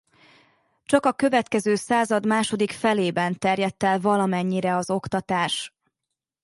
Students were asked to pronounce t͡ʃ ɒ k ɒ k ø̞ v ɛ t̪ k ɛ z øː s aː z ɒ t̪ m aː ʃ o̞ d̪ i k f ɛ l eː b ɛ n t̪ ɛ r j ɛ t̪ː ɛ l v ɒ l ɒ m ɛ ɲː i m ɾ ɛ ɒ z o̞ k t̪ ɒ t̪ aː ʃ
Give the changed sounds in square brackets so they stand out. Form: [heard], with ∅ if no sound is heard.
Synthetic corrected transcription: t͡ʃ ɒ k ɒ k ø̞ v ɛ t̪ k ɛ z øː s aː z ɒ [d̪] m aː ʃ o̞ d̪ i k f ɛ l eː b ɛ n t̪ ɛ r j ɛ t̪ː ɛ l v ɒ l ɒ m ɛ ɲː i [∅] ɾ ɛ ɒ z o̞ k t̪ ɒ t̪ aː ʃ

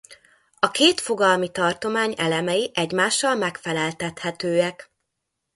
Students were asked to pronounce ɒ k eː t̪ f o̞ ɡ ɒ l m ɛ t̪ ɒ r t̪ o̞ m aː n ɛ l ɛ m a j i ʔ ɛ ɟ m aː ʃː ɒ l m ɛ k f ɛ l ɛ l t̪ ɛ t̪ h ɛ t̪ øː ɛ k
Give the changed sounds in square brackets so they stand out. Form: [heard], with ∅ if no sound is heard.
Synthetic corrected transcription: ɒ k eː t̪ f o̞ ɡ ɒ l m [i] t̪ ɒ r t̪ o̞ m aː [ɲ] ɛ l ɛ m [ɛ] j i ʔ ɛ ɟ m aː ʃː ɒ l m ɛ k f ɛ l ɛ l t̪ ɛ t̪ h ɛ t̪ øː ɛ k

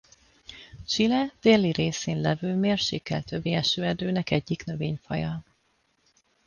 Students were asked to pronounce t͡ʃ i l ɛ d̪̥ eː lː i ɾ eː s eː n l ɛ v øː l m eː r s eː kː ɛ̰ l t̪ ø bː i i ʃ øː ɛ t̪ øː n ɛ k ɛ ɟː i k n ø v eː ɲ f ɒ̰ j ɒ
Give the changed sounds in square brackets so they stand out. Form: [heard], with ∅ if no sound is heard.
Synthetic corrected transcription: t͡ʃ i l ɛ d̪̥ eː lː i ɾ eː s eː n l ɛ v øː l m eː r [ʃ] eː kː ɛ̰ l t̪ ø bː i [ɛ] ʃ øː ɛ [d̪] øː n ɛ k ɛ ɟː i k n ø v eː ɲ f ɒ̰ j ɒ

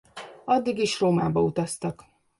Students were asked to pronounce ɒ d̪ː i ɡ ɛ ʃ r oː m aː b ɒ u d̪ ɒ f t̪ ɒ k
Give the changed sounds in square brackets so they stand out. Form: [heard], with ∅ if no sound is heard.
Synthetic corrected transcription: ɒ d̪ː i ɡ [i] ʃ r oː m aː b ɒ u [t̪] ɒ [s] t̪ ɒ k

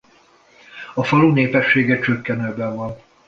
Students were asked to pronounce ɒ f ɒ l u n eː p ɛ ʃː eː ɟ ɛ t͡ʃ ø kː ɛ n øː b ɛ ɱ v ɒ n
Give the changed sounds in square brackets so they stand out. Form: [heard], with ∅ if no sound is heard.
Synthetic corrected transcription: ɒ f ɒ l u n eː p ɛ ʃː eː [ɡ] ɛ t͡ʃ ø kː ɛ n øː b ɛ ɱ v ɒ n

